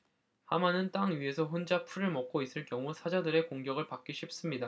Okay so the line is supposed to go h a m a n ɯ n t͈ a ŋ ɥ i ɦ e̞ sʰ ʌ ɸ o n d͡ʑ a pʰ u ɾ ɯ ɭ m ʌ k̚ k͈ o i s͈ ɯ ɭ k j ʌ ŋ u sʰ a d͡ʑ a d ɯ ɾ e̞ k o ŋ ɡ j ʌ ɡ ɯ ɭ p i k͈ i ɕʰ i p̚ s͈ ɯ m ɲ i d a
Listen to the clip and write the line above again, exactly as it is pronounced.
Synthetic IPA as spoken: h a m a n ɯ n t͈ a ŋ ɥ i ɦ e̞ sʰ ʌ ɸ o n d͡ʑ a pʰ u ɾ ɯ ɭ m ʌ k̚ k͈ o i s͈ ɯ ɭ k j ʌ ŋ u sʰ a d͡ʑ a d ɯ ɾ e̞ k o ŋ ɡ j ʌ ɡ ɯ ɭ p a k͈ i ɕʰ i p̚ s͈ ɯ m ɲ i d a